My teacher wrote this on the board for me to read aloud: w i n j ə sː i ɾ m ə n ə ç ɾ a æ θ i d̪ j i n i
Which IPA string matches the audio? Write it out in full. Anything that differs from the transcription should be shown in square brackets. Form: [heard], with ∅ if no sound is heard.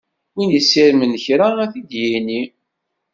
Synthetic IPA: w i n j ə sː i ɾ m ə n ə ç ɾ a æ θ i d̪ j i n i

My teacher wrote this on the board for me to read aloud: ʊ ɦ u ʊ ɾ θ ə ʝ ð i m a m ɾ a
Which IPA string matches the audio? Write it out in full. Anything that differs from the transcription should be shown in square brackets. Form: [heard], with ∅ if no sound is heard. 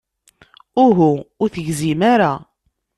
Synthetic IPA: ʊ ɦ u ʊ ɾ θ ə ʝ [z] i m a [∅] ɾ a

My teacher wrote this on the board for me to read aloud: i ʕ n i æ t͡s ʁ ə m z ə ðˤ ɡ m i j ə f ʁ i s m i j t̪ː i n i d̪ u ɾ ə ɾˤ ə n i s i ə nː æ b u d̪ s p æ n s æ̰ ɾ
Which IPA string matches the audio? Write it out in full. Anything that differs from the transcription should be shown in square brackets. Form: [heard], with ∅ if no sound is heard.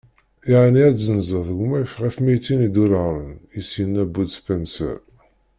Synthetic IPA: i ʕ n i æ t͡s [z] ə [n] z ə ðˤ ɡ m [æ] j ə f ʁ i [f] m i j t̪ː i n i d̪ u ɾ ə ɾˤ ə n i s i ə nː æ b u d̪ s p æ n s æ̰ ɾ

